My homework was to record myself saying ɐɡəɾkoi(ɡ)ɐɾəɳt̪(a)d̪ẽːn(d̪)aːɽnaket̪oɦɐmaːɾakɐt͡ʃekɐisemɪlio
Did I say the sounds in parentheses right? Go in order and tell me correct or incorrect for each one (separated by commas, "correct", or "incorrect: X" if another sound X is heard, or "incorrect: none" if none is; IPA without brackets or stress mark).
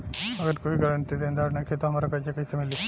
correct, incorrect: i, correct